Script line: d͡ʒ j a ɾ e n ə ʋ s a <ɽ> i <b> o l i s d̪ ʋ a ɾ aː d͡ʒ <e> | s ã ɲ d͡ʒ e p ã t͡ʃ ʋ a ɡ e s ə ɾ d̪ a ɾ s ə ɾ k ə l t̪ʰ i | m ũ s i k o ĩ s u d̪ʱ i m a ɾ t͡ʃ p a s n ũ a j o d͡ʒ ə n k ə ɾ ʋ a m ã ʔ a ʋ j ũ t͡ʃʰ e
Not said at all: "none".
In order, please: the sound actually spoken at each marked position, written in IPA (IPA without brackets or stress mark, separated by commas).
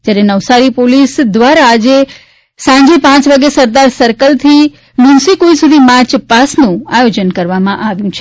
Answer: ɾ, p, e